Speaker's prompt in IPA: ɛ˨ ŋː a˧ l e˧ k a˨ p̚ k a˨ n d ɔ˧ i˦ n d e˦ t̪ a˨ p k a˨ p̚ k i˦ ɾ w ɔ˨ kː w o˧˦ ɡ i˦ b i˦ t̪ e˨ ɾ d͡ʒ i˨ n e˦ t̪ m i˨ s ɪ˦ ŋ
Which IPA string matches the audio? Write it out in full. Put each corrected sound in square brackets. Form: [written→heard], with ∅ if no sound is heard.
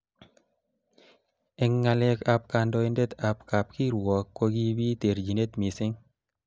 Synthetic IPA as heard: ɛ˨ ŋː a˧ l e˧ k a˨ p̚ k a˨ n d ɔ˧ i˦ n d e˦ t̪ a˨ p k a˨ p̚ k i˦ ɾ w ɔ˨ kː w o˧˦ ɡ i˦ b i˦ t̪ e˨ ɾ d͡ʒ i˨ n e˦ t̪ m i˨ s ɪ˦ ŋ